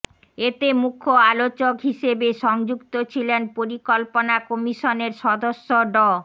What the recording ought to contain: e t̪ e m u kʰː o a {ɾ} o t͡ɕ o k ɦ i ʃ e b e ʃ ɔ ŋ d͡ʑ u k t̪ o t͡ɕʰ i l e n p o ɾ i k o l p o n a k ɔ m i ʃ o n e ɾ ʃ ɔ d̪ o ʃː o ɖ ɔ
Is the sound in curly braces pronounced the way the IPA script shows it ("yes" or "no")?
no